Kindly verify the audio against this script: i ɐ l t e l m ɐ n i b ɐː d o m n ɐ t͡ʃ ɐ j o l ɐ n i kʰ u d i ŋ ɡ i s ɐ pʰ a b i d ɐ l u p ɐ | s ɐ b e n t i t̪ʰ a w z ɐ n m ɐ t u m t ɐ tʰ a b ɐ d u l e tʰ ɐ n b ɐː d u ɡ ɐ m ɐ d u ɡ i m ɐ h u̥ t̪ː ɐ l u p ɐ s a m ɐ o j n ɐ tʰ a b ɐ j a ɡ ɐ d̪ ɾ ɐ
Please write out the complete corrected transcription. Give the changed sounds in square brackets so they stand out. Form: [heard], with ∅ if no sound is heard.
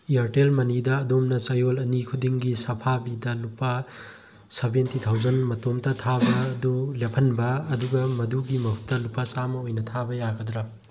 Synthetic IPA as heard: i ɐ [ɾ] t e l m ɐ n i [d] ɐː d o m n ɐ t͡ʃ ɐ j o l ɐ n i kʰ u d i ŋ ɡ i s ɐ pʰ a b i d ɐ l u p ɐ | s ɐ b e n t i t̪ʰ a w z ɐ n m ɐ t [o] m t ɐ tʰ a b ɐ d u l e [pʰ] ɐ n b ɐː d u ɡ ɐ m ɐ d u ɡ i m ɐ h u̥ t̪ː ɐ l u p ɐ s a m ɐ o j n ɐ tʰ a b ɐ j a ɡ ɐ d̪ ɾ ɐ